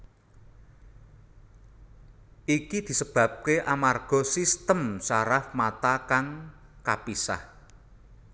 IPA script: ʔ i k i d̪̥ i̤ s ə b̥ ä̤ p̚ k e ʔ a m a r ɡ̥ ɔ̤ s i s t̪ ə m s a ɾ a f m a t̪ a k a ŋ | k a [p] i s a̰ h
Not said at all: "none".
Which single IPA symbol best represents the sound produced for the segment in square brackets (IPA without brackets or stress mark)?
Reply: p